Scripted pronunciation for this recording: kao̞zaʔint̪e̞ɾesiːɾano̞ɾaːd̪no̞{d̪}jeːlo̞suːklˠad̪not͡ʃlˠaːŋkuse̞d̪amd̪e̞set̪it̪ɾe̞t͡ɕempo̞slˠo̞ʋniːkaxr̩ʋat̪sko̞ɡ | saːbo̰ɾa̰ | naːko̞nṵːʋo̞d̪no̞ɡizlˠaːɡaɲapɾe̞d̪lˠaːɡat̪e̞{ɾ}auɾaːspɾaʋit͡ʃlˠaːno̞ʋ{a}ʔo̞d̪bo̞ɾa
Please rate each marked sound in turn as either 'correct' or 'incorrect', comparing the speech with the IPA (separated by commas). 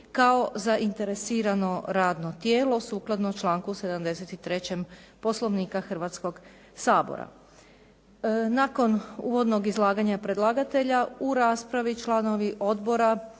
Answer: incorrect, incorrect, incorrect